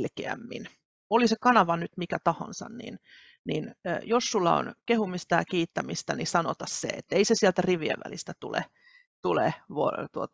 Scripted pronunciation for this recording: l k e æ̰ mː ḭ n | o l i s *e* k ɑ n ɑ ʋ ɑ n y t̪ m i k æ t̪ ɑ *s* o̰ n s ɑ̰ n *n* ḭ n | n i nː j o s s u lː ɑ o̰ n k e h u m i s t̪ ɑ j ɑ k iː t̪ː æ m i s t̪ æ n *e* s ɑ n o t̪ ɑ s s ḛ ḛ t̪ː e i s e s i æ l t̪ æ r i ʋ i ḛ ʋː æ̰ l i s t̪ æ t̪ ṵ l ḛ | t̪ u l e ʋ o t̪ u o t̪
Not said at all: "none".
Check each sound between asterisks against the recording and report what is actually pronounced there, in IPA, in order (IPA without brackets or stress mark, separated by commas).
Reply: e, h, n, i